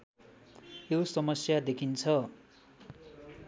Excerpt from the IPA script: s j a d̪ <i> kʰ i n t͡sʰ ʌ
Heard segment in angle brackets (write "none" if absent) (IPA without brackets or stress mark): e